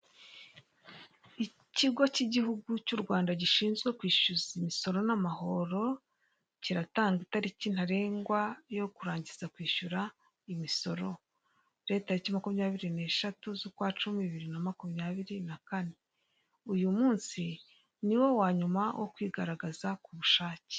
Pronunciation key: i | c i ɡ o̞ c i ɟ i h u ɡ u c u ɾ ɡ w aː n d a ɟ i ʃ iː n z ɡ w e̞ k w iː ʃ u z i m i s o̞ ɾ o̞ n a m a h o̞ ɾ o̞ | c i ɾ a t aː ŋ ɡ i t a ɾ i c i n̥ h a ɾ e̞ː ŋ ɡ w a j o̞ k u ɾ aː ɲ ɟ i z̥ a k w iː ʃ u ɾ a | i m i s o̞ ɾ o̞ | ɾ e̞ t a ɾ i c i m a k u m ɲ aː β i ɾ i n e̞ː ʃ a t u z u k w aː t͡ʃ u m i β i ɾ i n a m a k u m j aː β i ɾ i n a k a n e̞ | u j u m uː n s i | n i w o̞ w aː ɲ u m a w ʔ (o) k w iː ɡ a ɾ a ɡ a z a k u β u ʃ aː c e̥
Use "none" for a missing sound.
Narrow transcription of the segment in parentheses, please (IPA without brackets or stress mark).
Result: o